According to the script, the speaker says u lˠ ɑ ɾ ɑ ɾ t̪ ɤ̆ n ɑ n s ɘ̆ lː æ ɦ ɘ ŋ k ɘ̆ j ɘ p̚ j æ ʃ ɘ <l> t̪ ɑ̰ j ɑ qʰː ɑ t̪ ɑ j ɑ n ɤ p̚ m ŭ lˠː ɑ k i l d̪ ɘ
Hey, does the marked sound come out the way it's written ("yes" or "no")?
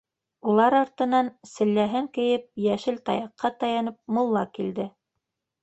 yes